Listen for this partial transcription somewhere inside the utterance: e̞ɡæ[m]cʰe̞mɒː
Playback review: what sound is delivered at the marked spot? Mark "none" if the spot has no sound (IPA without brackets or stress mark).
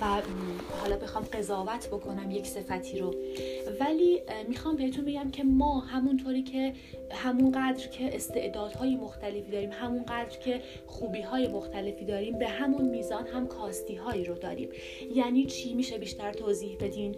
m